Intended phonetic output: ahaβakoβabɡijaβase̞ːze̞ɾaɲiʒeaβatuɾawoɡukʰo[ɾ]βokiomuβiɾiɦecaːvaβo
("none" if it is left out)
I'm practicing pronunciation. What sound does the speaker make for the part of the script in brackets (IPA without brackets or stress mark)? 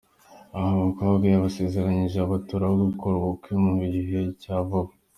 ɾ